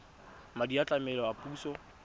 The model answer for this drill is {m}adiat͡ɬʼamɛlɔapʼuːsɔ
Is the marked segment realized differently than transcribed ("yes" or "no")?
no